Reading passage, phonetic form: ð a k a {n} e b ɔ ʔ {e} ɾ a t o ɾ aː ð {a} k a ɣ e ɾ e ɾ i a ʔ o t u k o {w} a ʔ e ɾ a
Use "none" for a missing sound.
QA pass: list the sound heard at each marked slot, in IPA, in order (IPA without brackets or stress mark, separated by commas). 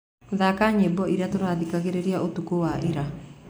ɲ, i, i, w